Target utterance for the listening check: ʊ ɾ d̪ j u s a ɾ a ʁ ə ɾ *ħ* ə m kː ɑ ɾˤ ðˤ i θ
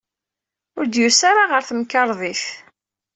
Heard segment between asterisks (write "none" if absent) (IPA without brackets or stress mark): θ